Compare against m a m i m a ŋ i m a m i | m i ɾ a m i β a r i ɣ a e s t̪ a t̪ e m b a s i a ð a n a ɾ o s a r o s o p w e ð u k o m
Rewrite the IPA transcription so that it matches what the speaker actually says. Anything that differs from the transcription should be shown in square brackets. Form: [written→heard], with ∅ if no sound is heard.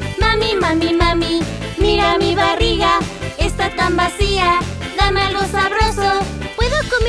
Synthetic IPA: m a m i m a [ŋ→m] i m a m i | m i ɾ a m i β a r i ɣ a e s t̪ a t̪ [e→a] m b a s i a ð a [n→m] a [ɾ→l] o s a r o s o p w e ð [u→o] k o m

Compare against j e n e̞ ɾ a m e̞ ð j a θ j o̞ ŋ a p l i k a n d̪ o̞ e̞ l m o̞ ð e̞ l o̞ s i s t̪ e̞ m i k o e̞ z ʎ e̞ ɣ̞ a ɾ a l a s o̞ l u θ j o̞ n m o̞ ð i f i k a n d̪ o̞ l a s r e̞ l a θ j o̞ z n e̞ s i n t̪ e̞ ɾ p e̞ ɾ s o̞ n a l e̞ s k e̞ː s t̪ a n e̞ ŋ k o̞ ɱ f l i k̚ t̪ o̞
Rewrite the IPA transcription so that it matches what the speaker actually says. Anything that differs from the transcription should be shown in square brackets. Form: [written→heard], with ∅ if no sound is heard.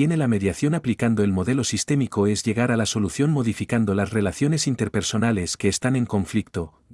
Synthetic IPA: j e n e̞ [ɾ→l] a m e̞ ð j a θ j o̞ [ŋ→n] a p l i k a n d̪ o̞ e̞ l m o̞ ð e̞ l o̞ s i s t̪ e̞ m i k o e̞ z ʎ e̞ ɣ̞ a ɾ a l a s o̞ l u θ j o̞ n m o̞ ð i f i k a n d̪ o̞ l a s r e̞ l a θ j o̞ [z→∅] n e̞ s i n t̪ e̞ ɾ p e̞ ɾ s o̞ n a l e̞ s k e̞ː s t̪ a n e̞ ŋ k o̞ ɱ f l i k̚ t̪ o̞

